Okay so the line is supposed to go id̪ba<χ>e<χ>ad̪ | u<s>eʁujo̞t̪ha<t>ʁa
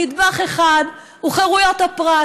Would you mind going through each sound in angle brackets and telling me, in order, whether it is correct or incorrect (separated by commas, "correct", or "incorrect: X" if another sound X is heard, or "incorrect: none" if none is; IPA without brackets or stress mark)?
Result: correct, correct, incorrect: χ, incorrect: p